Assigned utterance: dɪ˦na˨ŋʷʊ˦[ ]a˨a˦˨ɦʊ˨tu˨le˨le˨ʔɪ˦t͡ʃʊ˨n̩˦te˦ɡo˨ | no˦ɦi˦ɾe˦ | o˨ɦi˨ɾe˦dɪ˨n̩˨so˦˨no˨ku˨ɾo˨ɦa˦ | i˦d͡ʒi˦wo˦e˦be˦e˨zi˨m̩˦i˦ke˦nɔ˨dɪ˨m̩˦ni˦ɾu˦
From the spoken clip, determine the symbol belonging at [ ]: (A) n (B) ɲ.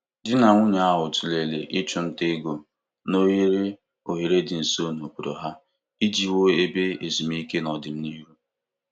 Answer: B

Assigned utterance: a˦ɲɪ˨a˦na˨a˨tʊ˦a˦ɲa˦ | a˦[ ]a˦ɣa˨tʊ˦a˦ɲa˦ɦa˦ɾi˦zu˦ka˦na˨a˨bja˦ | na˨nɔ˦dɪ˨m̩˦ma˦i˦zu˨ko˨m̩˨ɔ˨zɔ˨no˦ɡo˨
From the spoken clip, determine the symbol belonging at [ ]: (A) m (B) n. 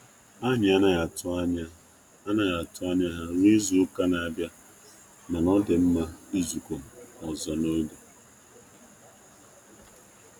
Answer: B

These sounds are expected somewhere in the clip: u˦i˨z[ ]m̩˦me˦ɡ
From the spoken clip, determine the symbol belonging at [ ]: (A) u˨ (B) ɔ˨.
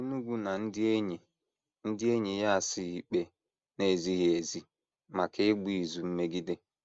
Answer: A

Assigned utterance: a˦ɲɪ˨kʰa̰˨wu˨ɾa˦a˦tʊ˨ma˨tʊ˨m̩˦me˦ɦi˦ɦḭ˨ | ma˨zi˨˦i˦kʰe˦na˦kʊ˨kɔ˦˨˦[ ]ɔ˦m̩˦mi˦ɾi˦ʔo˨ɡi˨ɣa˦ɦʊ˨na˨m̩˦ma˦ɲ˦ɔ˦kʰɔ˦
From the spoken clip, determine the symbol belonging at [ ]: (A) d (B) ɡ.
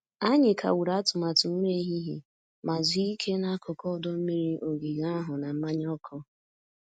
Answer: A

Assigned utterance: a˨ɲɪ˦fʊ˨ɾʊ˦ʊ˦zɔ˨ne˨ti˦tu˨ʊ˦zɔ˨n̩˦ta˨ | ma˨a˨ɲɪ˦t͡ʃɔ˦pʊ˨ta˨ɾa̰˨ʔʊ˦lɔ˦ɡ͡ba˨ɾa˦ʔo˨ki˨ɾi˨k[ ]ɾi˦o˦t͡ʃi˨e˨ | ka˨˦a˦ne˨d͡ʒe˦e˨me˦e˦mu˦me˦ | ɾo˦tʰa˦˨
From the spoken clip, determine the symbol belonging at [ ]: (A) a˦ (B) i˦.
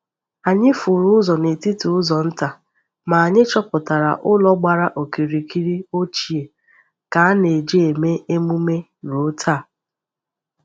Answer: B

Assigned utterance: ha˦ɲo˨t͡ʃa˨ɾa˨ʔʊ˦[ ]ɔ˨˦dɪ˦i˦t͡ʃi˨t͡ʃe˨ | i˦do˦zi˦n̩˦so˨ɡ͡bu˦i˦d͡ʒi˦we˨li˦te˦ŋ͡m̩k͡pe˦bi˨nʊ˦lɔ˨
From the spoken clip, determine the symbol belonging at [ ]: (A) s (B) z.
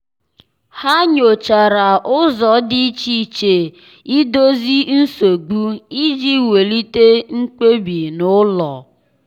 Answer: B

